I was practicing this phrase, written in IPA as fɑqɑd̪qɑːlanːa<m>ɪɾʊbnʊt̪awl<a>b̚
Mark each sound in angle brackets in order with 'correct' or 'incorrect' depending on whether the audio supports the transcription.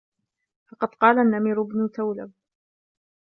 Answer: correct, correct

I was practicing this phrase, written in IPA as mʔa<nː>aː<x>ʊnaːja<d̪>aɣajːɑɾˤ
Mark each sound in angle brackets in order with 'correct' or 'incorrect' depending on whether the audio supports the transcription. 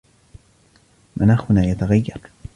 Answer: incorrect: n, correct, incorrect: t̪

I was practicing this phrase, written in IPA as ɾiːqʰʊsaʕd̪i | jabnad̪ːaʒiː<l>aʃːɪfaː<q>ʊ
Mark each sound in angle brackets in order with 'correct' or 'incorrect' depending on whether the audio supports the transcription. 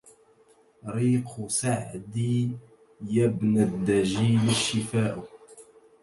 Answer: correct, incorrect: ʔ

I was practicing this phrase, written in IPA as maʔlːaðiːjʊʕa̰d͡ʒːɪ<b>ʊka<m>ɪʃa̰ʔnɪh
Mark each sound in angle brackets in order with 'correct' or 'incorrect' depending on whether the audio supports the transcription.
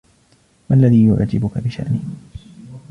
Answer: correct, incorrect: b

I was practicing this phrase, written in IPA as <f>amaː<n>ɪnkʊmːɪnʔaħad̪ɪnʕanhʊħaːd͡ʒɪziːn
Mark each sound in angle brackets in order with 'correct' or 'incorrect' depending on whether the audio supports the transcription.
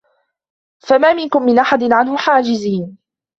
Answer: correct, incorrect: m

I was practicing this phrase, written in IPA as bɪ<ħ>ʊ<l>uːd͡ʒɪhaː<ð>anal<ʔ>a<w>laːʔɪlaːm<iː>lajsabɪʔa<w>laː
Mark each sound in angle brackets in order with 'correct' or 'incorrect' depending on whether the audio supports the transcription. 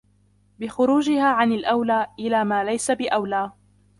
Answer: incorrect: x, incorrect: ɾ, incorrect: ʕ, correct, correct, incorrect: aː, correct

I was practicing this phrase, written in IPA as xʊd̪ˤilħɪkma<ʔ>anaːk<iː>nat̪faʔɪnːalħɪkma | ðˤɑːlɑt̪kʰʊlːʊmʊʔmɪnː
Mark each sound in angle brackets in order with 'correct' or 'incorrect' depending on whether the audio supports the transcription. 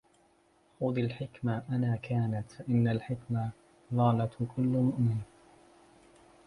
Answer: correct, incorrect: aː

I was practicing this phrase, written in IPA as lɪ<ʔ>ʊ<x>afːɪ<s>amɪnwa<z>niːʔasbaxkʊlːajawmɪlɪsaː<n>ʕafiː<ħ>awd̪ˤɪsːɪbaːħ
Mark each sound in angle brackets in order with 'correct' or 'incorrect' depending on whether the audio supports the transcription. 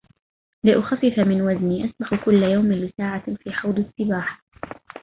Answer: correct, correct, incorrect: f, correct, incorrect: none, correct

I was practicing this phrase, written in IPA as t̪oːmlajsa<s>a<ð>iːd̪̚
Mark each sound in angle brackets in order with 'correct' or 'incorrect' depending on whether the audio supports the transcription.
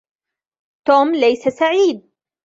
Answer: correct, incorrect: ʕ

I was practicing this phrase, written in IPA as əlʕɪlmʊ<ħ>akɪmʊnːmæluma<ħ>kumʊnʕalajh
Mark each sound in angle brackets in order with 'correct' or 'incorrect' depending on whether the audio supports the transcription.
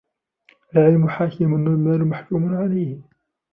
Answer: correct, correct

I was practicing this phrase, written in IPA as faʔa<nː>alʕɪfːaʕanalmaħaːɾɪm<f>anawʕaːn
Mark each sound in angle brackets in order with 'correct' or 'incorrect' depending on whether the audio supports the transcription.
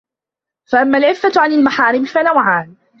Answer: incorrect: mː, correct

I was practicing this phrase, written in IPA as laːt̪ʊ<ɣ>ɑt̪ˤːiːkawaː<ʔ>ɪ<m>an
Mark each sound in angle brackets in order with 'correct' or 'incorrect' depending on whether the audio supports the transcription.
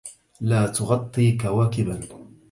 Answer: correct, incorrect: k, incorrect: b

